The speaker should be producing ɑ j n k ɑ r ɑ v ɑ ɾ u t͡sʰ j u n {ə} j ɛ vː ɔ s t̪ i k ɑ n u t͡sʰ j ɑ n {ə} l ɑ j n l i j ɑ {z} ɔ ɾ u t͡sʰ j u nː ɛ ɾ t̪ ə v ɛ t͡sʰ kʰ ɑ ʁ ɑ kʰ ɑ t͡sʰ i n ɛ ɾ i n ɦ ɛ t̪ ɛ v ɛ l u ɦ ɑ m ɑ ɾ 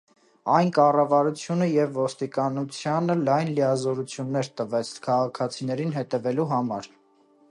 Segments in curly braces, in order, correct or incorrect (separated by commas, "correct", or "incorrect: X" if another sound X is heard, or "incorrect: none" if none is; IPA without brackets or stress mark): correct, correct, correct